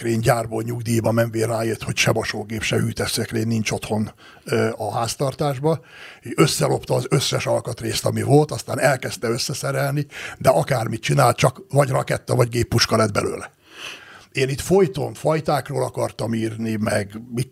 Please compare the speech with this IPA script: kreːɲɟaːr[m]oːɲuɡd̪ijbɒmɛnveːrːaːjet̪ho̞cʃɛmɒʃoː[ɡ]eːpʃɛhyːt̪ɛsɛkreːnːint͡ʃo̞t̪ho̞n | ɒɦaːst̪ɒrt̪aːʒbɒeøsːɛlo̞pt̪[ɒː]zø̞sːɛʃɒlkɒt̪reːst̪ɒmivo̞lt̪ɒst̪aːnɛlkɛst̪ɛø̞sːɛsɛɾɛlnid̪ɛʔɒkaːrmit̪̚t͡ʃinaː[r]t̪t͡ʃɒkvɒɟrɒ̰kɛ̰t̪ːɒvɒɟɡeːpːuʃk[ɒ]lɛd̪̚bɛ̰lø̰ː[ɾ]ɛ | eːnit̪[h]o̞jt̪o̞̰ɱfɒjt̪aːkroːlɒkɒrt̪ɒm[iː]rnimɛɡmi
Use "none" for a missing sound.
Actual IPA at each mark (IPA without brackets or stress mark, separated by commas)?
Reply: b, ɡ, ɒː, l, ɒ, l, f, iː